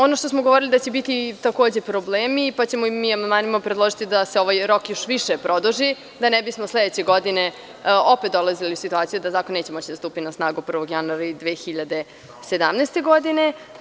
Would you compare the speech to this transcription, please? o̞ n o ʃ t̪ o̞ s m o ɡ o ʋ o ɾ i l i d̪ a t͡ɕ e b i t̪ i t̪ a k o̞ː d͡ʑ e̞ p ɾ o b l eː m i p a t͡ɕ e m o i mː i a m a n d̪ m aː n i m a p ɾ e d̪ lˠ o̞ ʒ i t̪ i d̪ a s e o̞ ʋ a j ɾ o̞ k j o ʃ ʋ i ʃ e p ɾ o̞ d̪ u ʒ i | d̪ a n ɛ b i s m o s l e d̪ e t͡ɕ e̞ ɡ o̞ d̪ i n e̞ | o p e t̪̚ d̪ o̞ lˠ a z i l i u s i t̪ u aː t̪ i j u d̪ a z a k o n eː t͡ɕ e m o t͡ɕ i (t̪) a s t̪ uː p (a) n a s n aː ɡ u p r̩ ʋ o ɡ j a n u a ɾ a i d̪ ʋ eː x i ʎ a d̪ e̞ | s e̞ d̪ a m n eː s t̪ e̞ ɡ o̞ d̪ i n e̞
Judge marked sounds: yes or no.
no, no

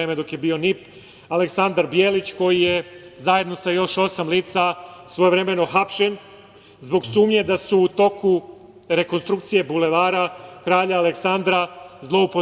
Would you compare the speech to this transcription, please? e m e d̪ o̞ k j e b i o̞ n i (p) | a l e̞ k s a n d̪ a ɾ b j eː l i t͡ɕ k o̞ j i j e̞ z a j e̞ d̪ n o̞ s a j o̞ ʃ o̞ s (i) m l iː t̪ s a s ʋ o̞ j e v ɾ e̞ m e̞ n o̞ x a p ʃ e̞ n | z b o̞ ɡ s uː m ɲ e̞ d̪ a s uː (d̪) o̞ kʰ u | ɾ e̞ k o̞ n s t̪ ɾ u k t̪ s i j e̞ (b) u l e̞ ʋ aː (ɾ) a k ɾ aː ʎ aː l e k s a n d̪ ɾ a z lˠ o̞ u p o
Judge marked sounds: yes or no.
yes, no, no, yes, yes

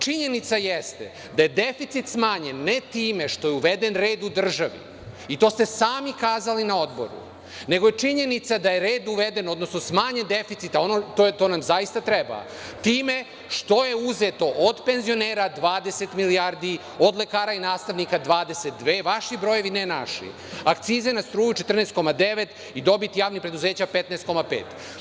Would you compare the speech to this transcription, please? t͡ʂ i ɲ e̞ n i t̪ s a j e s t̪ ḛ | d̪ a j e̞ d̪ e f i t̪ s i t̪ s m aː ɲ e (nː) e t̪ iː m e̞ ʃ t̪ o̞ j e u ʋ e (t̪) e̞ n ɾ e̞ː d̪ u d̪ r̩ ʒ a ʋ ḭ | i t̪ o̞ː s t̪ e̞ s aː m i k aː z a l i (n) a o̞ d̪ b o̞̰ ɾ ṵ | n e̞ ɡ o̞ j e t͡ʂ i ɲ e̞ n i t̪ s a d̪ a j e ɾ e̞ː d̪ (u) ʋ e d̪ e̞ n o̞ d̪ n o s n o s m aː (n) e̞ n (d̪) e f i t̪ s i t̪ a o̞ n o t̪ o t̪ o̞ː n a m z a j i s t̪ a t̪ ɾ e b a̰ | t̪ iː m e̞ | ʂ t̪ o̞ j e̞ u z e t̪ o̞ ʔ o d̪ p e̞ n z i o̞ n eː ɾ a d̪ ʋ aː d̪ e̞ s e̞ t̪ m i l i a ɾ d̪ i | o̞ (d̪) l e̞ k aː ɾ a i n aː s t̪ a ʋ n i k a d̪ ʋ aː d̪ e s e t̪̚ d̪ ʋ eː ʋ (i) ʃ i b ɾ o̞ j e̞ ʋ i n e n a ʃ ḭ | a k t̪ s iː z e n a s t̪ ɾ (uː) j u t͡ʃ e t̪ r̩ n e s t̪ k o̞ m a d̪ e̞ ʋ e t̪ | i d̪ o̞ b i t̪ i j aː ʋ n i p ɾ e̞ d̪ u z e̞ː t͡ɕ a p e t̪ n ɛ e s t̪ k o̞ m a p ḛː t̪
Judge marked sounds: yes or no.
yes, no, yes, yes, no, yes, yes, no, yes

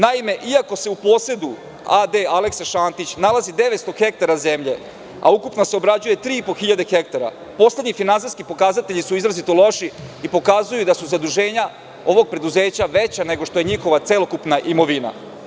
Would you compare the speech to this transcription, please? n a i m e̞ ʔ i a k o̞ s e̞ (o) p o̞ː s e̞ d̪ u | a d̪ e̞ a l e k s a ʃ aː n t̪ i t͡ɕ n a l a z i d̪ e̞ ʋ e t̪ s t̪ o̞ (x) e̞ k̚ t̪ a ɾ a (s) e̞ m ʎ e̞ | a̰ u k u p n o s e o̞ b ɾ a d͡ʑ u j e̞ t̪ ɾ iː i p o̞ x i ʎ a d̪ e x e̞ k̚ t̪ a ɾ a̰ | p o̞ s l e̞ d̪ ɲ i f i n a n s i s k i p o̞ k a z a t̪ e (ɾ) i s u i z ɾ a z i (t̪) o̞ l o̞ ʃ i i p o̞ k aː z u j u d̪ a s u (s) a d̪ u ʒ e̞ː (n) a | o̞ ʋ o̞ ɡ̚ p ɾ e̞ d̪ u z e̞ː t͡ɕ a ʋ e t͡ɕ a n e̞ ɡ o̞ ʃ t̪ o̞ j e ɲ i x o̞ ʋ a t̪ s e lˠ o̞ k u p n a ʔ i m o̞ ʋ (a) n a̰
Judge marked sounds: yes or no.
no, yes, no, no, yes, no, no, no

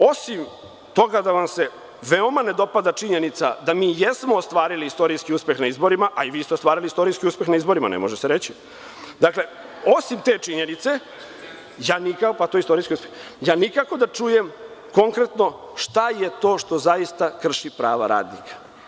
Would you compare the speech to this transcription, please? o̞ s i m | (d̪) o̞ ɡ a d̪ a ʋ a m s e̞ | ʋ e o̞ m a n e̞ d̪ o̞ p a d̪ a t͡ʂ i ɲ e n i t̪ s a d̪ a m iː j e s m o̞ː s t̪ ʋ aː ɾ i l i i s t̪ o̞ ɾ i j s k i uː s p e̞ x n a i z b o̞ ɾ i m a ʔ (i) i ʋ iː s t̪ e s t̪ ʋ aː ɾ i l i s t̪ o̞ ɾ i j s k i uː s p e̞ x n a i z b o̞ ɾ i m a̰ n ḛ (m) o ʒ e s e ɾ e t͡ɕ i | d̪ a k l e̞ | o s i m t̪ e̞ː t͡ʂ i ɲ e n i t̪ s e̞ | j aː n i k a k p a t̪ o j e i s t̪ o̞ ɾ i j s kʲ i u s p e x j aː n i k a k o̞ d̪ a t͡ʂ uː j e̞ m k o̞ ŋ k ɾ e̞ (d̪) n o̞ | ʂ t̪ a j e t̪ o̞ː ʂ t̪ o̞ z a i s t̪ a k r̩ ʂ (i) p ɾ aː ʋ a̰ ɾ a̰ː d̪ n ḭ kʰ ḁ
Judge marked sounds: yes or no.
no, no, yes, no, yes

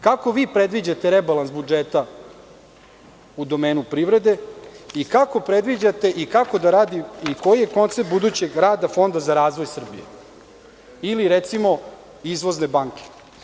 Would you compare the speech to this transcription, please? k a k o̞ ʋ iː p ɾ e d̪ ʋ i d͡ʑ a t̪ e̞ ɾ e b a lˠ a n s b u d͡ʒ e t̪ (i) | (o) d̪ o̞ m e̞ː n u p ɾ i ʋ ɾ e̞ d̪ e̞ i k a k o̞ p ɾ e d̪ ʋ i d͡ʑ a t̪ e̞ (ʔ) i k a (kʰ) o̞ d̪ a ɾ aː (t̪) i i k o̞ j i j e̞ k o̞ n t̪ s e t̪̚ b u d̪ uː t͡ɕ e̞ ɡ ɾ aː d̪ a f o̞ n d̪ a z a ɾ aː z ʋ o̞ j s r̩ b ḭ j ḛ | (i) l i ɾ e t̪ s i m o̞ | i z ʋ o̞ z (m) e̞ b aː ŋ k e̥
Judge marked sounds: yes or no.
no, no, yes, no, no, yes, no

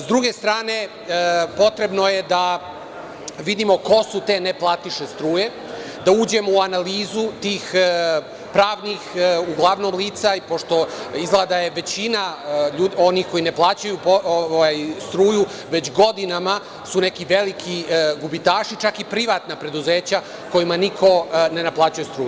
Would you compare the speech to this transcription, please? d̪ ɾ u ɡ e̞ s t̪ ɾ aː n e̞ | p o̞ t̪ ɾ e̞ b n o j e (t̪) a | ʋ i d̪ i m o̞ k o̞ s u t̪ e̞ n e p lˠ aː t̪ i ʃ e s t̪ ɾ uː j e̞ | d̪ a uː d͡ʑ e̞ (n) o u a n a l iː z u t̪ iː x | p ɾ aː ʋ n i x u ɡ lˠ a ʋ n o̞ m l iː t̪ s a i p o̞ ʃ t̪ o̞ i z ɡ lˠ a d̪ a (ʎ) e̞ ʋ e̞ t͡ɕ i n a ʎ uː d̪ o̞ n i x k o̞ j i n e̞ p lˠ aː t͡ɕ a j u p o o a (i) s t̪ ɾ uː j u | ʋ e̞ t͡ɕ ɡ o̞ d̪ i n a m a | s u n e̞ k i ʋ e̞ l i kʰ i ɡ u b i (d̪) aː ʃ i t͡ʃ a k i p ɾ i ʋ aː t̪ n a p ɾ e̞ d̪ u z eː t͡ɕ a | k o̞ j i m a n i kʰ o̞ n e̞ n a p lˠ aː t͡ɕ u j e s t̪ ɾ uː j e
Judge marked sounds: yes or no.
no, no, no, no, no

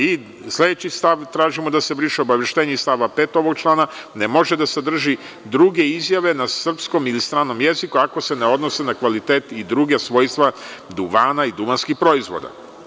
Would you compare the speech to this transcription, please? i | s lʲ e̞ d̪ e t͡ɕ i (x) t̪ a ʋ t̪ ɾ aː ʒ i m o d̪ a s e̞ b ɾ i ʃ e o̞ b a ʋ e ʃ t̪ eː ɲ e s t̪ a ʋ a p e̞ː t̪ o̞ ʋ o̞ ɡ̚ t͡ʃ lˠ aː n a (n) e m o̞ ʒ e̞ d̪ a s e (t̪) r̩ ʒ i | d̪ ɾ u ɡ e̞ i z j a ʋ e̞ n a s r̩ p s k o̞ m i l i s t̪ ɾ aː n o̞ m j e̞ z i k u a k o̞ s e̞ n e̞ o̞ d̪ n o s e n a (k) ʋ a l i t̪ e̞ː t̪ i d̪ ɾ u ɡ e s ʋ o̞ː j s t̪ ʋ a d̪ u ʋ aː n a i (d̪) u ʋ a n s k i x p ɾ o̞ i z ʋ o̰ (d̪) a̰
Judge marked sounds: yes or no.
no, yes, no, yes, yes, yes

